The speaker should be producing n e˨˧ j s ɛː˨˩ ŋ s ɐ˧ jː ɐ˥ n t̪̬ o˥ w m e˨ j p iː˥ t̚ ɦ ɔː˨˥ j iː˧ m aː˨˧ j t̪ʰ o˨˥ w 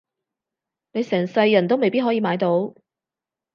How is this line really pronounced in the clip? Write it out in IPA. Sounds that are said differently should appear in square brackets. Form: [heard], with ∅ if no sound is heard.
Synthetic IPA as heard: n e˨˧ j s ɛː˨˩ ŋ s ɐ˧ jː [ɐ˨˩] n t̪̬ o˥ w m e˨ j p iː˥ t̚ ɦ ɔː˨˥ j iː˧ m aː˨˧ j [t̪] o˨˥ w